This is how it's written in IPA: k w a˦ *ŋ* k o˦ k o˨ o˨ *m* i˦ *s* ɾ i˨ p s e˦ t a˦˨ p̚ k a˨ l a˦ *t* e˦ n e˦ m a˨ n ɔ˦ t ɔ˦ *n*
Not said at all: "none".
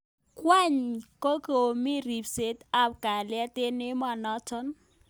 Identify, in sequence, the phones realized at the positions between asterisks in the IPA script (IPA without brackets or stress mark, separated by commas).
ɲ, m, none, t, n